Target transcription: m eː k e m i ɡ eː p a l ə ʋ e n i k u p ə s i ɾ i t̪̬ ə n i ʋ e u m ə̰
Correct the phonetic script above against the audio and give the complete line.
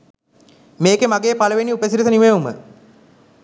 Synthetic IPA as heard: m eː k e m a ɡ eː p a l ə ʋ e n i u p ə s i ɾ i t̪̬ ə n i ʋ e u m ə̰